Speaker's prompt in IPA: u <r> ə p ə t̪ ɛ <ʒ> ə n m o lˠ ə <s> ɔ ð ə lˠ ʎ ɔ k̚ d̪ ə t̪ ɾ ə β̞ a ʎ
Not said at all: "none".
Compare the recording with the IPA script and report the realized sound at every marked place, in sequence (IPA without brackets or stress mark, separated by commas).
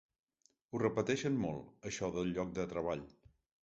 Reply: r, ʃ, ʃ